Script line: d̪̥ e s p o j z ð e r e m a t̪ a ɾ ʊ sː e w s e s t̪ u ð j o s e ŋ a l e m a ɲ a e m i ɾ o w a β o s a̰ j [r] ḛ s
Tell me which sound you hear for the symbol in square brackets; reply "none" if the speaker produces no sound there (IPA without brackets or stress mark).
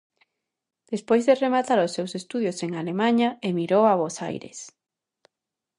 ɾ